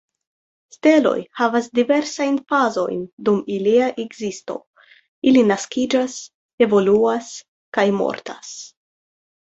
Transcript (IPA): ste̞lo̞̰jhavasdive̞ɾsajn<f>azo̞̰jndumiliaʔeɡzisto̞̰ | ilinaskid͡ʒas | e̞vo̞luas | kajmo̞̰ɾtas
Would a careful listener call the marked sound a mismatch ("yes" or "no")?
no